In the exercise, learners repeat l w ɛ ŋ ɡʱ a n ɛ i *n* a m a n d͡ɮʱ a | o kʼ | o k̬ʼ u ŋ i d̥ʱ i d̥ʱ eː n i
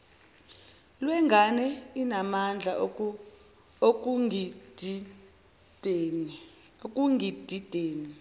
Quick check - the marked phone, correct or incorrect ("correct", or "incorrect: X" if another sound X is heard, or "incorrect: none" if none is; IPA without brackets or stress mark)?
correct